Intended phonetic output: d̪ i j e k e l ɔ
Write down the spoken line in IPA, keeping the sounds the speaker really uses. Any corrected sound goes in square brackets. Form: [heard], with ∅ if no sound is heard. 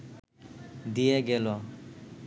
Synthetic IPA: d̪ i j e [ɡ] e l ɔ